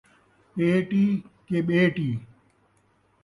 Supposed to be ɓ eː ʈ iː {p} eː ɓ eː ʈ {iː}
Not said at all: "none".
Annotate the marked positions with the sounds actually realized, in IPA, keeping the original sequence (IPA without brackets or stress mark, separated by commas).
k, iː